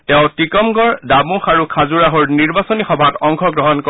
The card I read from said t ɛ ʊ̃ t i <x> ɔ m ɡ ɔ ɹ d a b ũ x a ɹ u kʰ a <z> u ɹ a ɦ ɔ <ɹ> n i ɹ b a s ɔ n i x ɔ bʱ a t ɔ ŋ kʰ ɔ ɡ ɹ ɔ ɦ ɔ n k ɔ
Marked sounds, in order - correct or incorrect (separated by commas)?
incorrect, correct, correct